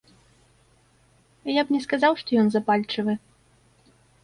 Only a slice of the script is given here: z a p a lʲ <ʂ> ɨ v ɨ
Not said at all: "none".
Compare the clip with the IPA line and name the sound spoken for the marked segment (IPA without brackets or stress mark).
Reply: t͡ʂ